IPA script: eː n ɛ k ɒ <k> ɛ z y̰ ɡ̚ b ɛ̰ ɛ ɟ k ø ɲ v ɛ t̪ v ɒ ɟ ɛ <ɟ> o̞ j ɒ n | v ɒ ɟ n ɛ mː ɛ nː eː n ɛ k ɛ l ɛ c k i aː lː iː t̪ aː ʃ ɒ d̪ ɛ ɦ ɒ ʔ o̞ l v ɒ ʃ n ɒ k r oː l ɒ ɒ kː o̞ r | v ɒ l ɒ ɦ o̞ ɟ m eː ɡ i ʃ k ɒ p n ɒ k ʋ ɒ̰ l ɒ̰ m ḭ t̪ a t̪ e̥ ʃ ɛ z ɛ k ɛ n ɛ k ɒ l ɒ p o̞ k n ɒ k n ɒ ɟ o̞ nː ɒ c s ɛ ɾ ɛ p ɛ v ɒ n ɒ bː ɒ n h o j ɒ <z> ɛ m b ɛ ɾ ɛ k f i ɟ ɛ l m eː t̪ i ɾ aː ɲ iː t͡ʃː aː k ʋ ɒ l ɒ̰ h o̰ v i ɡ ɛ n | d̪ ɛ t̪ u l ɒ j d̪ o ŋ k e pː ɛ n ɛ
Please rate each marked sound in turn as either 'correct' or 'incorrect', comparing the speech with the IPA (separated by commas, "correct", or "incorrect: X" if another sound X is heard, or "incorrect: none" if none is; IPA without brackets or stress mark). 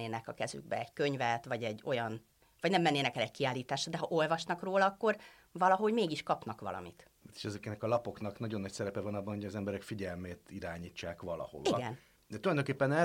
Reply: correct, incorrect: ɟː, correct